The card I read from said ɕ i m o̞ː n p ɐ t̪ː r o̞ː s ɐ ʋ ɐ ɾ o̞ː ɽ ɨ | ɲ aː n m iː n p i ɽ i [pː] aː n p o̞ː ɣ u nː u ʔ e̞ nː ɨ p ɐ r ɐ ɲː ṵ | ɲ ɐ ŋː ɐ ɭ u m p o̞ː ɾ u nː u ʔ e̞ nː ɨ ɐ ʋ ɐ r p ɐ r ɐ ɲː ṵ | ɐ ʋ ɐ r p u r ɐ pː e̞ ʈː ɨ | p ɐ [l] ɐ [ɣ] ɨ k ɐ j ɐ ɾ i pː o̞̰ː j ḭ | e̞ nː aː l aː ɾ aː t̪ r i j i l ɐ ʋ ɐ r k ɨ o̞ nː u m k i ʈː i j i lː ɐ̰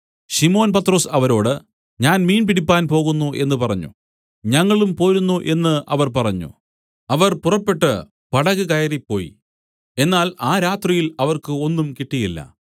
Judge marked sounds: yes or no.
yes, no, yes

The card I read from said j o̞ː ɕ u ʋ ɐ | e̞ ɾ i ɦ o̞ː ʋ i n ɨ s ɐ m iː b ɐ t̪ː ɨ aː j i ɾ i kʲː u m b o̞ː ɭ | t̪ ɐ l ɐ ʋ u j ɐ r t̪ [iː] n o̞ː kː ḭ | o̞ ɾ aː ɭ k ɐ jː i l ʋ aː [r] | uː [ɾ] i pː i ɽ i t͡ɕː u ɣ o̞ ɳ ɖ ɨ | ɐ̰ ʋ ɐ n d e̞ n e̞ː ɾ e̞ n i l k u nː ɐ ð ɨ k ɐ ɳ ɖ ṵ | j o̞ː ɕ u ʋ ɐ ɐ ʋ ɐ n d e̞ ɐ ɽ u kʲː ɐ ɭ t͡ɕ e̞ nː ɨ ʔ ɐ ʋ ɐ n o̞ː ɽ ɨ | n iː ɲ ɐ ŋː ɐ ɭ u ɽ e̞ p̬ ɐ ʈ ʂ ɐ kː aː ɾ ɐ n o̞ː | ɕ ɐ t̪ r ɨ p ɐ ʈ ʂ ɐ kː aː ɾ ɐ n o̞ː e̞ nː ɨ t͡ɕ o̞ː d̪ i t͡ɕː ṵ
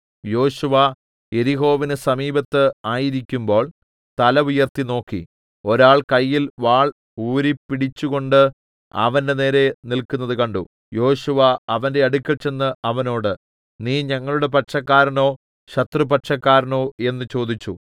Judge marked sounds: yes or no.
no, no, yes

